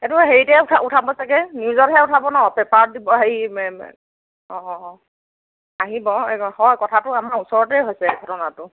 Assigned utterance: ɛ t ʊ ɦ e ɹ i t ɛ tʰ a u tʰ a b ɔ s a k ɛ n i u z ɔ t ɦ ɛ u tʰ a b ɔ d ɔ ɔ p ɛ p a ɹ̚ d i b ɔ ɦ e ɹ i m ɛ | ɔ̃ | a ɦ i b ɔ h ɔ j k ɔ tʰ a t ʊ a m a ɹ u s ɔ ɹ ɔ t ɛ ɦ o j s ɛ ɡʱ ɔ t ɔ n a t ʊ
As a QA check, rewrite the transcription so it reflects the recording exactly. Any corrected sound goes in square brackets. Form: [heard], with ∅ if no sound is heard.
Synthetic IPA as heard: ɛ t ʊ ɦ e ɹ i t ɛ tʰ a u tʰ a b ɔ s a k ɛ n i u z ɔ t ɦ ɛ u tʰ a b ɔ [n] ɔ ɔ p ɛ p a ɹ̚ d i b ɔ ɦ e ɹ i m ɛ | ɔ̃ | a ɦ i b ɔ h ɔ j k ɔ tʰ a t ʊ a m a ɹ u s ɔ ɹ ɔ t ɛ ɦ o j s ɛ ɡʱ ɔ t ɔ n a t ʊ